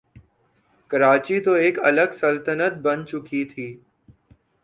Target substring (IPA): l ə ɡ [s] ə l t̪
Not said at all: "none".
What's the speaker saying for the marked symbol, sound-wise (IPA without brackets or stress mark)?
s